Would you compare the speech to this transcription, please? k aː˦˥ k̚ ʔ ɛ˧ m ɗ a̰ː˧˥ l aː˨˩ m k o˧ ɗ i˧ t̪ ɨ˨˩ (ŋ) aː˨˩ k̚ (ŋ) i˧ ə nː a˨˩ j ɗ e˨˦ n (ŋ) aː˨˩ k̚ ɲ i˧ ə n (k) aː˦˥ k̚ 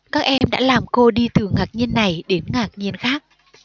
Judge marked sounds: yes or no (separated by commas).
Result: yes, no, yes, no